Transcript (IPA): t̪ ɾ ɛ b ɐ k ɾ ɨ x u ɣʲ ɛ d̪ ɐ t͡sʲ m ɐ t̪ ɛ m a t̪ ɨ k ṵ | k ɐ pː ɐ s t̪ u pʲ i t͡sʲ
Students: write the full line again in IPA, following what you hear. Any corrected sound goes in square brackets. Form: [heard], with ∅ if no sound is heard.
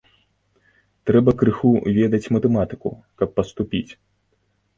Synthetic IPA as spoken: t̪ ɾ ɛ b ɐ k ɾ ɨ x u [vʲ] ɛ d̪ ɐ t͡sʲ m ɐ t̪ ɛ m a t̪ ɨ k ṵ | k ɐ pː ɐ s t̪ u pʲ i t͡sʲ

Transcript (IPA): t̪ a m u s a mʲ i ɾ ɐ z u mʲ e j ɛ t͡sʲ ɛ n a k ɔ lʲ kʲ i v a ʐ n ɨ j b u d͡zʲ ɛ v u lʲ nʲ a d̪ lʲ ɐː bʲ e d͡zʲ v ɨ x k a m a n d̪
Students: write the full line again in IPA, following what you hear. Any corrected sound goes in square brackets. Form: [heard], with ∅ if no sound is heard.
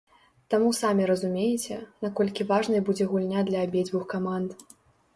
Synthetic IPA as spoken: t̪ a m u s a mʲ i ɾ ɐ z u mʲ e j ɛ t͡sʲ ɛ n a k ɔ lʲ kʲ i v a ʐ n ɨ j b u d͡zʲ ɛ [ɣ] u lʲ nʲ a d̪ lʲ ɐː bʲ e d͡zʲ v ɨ x k a m a n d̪

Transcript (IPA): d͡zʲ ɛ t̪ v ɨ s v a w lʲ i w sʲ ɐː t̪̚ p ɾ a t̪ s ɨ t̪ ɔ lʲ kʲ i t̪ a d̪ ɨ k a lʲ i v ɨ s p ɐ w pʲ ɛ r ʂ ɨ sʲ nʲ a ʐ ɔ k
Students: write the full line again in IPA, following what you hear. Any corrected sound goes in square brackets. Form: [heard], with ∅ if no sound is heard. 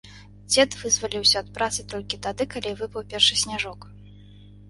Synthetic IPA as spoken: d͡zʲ ɛ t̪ v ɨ [z] v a [∅] lʲ i w sʲ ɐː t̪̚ p ɾ a t̪ s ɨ t̪ ɔ lʲ kʲ i t̪ a d̪ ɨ k a lʲ i v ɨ [∅] p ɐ w pʲ ɛ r ʂ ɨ sʲ nʲ a ʐ ɔ k

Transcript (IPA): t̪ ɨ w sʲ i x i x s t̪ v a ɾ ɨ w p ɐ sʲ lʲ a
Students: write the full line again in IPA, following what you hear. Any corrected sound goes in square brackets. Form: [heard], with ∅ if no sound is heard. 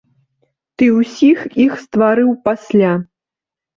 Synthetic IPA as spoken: t̪ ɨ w sʲ i x i x s t̪ v a ɾ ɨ w p [a] sʲ lʲ a

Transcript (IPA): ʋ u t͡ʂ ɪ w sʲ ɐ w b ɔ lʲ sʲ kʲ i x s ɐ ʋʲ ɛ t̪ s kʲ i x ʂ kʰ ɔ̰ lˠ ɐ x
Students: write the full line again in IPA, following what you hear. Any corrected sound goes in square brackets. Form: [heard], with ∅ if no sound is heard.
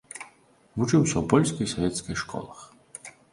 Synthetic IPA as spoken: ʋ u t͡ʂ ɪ w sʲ ɐ w [p] ɔ lʲ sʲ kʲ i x s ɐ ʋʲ ɛ t̪ s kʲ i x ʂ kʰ ɔ̰ lˠ ɐ x

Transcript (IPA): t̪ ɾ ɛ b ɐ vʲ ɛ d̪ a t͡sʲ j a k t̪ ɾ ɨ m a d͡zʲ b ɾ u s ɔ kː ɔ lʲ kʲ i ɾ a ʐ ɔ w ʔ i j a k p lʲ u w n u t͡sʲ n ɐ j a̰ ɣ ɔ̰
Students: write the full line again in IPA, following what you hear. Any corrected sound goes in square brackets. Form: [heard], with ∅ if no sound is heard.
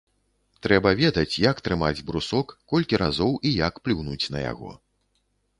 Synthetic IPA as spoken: t̪ ɾ ɛ b ɐ vʲ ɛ d̪ [ɐ] t͡sʲ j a k t̪ ɾ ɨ m a d͡zʲ b ɾ u s ɔ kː ɔ lʲ kʲ i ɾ a [z] ɔ w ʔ i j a k p lʲ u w n u t͡sʲ n ɐ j a̰ ɣ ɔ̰

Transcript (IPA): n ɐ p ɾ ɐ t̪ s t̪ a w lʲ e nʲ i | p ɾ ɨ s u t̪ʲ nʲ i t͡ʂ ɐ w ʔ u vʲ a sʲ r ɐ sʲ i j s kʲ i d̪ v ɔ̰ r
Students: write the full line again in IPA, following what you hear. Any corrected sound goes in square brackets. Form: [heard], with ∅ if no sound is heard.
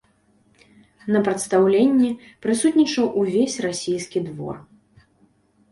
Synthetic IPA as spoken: n ɐ p ɾ ɐ t̪ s t̪ a w lʲ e [nʲː] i | p ɾ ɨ s u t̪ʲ nʲ i t͡ʂ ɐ w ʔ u vʲ [e] sʲ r [a] sʲ i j s kʲ i d̪ v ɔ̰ r

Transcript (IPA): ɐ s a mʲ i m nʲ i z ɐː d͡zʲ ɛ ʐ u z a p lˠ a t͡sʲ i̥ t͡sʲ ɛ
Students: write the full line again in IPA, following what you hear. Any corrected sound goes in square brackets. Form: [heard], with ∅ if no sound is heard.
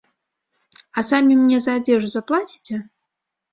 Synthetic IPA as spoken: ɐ s a mʲ i m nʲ [ɛ] z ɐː d͡zʲ ɛ ʐ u z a p lˠ a t͡sʲ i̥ t͡sʲ ɛ

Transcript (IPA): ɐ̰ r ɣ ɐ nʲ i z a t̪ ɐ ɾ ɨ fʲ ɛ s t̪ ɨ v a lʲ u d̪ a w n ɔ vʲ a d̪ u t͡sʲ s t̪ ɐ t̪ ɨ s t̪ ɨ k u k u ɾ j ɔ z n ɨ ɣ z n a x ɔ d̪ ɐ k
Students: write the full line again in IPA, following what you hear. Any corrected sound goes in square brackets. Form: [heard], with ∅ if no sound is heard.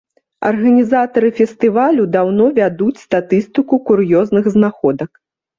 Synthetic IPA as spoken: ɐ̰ r ɣ ɐ nʲ i z a t̪ ɐ ɾ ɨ fʲ ɛ s t̪ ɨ v a lʲ u d̪ a w n ɔ vʲ a d̪ u t͡sʲ s t̪ [a] t̪ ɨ s t̪ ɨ k u k u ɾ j ɔ z n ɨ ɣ z n a x ɔ d̪ ɐ k

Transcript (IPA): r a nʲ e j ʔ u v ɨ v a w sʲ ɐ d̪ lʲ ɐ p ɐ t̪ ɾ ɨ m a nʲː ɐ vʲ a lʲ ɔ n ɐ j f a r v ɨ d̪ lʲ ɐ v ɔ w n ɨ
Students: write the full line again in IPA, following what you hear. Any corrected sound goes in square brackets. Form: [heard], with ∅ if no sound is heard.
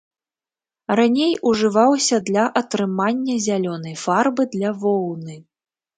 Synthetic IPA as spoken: r a nʲ e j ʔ u [ʐ] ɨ v a w sʲ ɐ d̪ lʲ ɐ [ʔ] ɐ t̪ ɾ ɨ m a nʲː ɐ [zʲ] a lʲ ɔ n ɐ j f a r [b] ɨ d̪ lʲ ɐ v ɔ w n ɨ

